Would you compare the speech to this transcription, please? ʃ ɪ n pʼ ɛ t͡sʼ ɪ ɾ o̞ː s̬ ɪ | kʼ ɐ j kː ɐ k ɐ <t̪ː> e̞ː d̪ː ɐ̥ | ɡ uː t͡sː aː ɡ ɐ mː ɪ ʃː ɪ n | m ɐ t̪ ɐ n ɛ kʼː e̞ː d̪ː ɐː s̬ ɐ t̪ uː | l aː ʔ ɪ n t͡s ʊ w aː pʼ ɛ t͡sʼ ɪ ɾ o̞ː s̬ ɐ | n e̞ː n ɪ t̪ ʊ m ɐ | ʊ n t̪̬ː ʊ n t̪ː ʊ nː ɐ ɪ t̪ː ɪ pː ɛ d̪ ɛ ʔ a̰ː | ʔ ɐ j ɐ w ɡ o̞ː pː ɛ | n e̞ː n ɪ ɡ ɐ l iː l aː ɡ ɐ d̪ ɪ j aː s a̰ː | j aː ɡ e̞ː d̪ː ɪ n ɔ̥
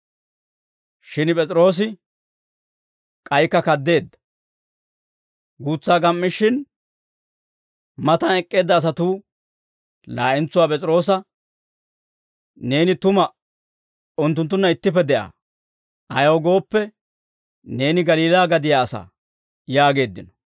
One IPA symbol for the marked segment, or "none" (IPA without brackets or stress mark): d̪ː